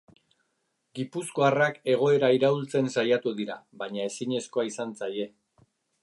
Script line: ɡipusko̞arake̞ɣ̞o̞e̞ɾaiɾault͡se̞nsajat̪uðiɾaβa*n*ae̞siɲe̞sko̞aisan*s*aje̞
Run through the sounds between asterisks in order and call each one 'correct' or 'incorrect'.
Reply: incorrect, incorrect

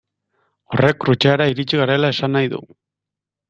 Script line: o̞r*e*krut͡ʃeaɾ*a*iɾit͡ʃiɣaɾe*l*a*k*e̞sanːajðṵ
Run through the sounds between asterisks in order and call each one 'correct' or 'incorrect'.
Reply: correct, correct, correct, incorrect

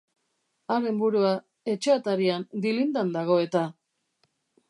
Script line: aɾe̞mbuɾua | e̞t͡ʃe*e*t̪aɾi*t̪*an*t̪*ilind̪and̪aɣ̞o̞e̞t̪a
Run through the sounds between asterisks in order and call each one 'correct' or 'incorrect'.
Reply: incorrect, incorrect, incorrect

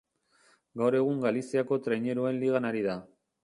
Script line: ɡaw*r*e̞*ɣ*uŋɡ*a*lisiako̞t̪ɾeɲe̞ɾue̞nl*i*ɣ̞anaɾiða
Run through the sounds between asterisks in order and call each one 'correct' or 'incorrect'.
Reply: incorrect, correct, correct, correct

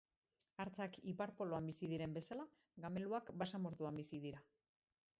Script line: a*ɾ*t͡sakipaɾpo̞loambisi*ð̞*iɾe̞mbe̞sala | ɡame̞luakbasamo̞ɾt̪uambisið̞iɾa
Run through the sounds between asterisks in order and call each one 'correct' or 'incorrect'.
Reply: correct, correct

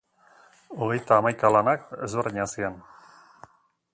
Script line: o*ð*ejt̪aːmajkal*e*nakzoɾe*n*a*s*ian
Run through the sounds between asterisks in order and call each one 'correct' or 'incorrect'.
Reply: incorrect, incorrect, incorrect, correct

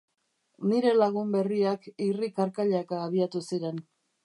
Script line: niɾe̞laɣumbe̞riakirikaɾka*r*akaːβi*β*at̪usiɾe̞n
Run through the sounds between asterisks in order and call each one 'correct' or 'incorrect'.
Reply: incorrect, incorrect

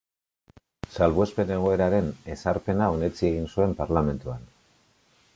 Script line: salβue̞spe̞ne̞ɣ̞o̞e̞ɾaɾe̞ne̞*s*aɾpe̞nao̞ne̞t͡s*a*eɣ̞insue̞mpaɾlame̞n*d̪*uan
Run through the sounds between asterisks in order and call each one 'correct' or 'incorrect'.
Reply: correct, incorrect, incorrect

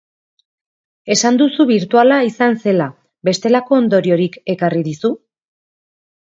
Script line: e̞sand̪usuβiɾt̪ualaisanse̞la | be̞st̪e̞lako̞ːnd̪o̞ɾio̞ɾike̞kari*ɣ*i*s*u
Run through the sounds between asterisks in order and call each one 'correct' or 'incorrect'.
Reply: incorrect, correct

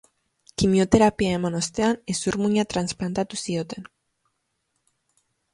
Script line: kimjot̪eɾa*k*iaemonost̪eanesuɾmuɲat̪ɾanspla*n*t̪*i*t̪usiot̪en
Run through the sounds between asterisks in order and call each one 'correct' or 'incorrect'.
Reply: incorrect, correct, incorrect

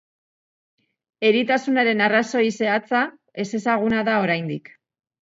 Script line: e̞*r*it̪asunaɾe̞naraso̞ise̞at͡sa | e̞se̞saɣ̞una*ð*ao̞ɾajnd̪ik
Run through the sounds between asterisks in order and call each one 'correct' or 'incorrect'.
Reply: incorrect, correct

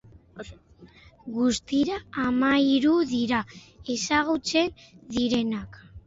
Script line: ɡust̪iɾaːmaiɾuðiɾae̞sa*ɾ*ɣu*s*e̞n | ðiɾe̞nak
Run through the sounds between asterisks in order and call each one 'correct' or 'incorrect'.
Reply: incorrect, incorrect

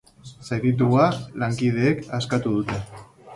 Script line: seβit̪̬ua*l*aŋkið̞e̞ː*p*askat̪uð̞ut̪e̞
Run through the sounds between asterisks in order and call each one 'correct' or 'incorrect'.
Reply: correct, incorrect

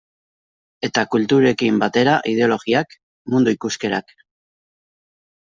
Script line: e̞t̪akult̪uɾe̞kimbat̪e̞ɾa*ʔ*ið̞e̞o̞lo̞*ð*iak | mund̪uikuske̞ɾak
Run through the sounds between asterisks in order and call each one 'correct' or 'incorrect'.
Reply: correct, incorrect

